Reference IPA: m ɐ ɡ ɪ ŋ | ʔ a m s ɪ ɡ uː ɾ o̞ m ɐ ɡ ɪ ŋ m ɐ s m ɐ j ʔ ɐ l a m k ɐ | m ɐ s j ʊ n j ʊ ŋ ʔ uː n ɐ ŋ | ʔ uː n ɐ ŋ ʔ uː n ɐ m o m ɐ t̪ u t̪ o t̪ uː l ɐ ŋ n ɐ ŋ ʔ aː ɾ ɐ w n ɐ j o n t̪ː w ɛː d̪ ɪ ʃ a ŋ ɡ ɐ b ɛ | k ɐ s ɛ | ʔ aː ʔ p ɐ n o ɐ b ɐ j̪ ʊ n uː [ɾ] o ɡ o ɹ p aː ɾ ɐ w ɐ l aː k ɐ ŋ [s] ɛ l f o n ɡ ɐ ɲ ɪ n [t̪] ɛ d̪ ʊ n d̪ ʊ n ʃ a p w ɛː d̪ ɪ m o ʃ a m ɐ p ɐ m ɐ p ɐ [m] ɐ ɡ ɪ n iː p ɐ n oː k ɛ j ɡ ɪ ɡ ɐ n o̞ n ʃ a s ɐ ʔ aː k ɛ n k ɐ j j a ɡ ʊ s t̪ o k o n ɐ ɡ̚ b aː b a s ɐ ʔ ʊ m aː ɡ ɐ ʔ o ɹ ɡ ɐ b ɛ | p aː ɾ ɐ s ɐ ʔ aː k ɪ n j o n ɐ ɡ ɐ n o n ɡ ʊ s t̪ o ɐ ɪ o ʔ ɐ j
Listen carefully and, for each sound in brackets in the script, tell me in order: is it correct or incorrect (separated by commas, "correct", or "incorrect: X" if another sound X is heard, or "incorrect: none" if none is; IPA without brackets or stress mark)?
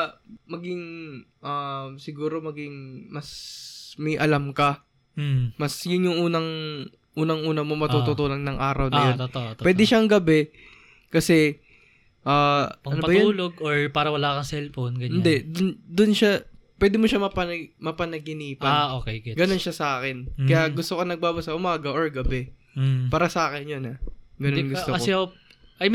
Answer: incorrect: l, correct, incorrect: d̪, incorrect: n